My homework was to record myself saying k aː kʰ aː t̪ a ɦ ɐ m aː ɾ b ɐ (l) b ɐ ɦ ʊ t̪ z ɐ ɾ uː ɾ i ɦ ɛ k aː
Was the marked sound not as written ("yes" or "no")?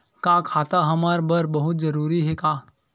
yes